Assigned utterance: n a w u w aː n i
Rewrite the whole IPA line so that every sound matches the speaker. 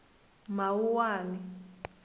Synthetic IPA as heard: m a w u w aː n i